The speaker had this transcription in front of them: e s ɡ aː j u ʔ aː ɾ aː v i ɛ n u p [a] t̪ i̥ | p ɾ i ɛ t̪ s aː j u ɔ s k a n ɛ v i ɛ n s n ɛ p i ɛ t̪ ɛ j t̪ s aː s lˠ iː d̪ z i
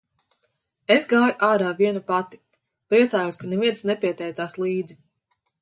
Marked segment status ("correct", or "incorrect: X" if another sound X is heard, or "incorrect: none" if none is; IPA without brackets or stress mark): correct